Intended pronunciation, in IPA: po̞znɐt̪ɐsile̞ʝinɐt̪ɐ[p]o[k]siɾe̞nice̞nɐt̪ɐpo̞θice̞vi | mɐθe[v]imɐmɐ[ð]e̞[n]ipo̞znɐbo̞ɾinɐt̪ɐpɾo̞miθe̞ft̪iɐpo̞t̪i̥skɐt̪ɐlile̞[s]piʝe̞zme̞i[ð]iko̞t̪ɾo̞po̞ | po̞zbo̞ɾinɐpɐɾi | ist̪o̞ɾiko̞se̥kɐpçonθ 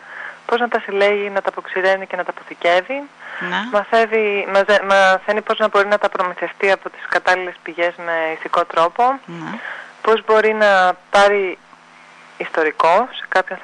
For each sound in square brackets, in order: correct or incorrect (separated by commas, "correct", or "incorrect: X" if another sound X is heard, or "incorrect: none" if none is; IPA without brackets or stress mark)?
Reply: correct, correct, correct, incorrect: θ, correct, correct, incorrect: θ